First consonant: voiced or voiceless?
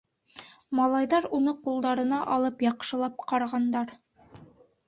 voiced